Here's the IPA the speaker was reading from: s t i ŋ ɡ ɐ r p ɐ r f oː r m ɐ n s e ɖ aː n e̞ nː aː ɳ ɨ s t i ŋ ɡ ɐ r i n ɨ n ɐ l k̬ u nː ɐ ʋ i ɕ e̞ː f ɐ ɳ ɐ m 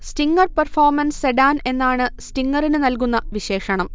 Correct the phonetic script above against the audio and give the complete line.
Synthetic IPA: s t i ŋ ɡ ɐ r p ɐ r f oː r m ɐ n s e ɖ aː n e̞ nː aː ɳ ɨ s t i ŋ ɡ ɐ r i n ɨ n ɐ l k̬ u nː ɐ ʋ i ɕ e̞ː ʂ ɐ ɳ ɐ m